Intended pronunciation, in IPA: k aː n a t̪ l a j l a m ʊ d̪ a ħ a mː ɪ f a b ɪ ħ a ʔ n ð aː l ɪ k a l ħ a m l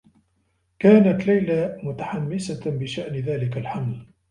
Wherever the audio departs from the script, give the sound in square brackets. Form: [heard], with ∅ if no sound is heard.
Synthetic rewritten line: k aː n a t̪ l a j l a m ʊ [t̪] a ħ a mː ɪ [s] a b ɪ [ʃ] a ʔ n ð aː l ɪ k a l ħ a m l